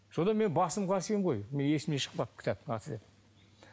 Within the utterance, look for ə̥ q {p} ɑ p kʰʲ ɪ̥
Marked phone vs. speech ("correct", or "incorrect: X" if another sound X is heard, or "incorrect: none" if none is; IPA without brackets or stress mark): correct